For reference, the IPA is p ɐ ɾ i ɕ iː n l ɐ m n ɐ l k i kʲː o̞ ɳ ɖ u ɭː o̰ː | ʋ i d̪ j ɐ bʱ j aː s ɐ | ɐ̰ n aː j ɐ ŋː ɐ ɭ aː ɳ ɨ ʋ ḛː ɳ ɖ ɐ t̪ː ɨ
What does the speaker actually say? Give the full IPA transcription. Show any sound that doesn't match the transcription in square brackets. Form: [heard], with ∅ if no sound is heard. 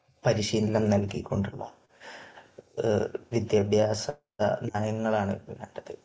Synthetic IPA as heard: p ɐ ɾ i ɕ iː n l ɐ m n ɐ l k i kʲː o̞ ɳ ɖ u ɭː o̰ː | ʋ i d̪ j ɐ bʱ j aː s ɐ | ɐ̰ n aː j ɐ ŋː ɐ ɭ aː ɳ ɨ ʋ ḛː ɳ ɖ ɐ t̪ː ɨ